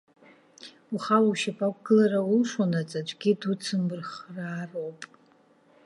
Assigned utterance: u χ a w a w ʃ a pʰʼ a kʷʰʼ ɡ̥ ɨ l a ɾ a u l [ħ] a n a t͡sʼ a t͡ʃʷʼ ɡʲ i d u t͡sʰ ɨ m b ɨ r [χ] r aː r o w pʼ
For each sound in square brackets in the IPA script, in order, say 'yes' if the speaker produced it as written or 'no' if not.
no, yes

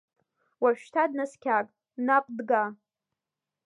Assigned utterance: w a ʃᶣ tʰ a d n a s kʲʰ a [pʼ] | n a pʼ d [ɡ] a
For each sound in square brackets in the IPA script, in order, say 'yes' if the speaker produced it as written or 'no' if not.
no, yes

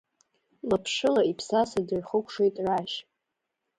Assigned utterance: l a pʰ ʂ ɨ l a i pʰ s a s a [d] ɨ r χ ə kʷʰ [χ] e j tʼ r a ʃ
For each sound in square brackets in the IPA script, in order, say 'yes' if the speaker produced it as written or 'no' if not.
yes, no

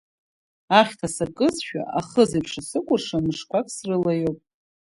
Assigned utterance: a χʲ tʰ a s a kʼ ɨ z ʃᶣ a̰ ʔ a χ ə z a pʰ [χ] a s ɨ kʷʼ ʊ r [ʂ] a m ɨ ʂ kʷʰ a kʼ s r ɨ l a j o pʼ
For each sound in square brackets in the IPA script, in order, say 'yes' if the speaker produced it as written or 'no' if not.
no, yes

